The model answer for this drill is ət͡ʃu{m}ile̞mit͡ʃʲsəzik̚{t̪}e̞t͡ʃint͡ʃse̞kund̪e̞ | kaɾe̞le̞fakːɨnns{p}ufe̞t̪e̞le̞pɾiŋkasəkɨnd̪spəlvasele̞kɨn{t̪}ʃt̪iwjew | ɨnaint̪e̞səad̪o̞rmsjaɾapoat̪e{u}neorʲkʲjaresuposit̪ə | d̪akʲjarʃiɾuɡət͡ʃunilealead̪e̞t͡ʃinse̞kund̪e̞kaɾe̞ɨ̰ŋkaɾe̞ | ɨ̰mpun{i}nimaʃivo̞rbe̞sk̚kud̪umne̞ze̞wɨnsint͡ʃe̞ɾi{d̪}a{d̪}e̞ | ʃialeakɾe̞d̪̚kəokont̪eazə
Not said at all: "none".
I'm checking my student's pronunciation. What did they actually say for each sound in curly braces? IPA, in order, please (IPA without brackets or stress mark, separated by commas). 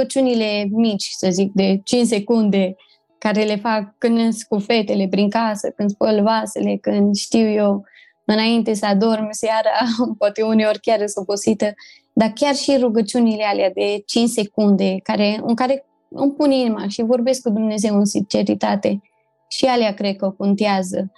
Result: n, d̪, k, d̪, u, i, t̪, t̪